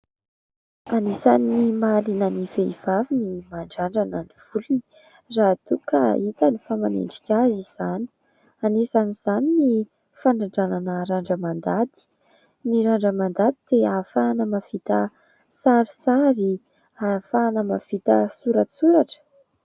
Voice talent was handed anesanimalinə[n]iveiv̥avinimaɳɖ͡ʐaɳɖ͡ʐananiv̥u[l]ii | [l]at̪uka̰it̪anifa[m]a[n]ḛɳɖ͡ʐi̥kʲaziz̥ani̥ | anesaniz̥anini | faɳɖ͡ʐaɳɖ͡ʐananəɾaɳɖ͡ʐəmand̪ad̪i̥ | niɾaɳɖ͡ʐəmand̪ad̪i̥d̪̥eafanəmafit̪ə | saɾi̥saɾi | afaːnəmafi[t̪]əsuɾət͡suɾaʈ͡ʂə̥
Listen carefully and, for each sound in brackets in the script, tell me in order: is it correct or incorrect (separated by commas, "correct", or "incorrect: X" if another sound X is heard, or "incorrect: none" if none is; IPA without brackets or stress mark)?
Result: correct, correct, incorrect: r, correct, correct, correct